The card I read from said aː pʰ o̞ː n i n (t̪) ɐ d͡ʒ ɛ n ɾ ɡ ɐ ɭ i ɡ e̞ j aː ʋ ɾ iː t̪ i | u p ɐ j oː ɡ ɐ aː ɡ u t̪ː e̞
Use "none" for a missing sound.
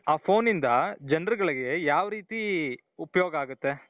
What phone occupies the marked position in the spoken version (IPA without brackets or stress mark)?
d̪